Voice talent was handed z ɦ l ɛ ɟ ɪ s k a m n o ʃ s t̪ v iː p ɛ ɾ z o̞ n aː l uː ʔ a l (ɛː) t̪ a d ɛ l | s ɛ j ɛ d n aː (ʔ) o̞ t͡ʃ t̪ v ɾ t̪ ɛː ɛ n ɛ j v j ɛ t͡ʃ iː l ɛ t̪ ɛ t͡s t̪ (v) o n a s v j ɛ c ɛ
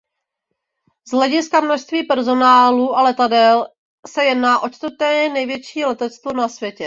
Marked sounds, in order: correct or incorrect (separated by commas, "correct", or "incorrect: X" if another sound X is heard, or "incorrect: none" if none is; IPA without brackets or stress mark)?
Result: incorrect: ɛ, correct, correct